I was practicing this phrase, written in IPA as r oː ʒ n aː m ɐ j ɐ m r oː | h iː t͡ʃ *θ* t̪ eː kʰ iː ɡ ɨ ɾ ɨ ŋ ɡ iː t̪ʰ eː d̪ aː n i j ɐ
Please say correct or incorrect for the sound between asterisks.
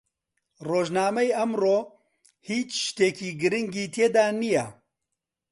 incorrect